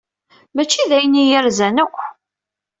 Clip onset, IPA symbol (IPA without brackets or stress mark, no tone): m